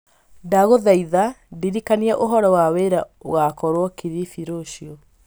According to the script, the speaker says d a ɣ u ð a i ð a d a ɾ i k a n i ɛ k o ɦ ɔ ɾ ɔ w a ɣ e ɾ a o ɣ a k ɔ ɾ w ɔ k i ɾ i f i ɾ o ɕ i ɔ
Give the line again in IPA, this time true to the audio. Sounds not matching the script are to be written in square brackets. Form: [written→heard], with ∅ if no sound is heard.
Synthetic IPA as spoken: d a ɣ [u→o] ð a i ð a d [a→i] ɾ i k a n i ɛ [k→ʔ] o ɦ ɔ ɾ ɔ w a [ɣ→w] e ɾ a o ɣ a k ɔ ɾ w ɔ k i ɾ i f i ɾ o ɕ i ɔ